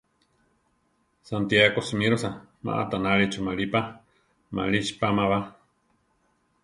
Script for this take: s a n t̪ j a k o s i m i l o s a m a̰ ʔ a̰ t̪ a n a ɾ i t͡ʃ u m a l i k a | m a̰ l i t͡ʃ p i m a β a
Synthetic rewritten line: s a n t̪ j a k o s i m i ɾ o s a m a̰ ʔ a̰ t̪ a n a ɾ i t͡ʃ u m a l i p a | m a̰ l i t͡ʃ p a m a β a